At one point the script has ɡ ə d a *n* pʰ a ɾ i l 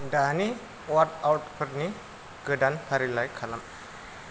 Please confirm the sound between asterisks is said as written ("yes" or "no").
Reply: yes